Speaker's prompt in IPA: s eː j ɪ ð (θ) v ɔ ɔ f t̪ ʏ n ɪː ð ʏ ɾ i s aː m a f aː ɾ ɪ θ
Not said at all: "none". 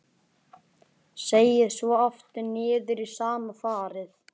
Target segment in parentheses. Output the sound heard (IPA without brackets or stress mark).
s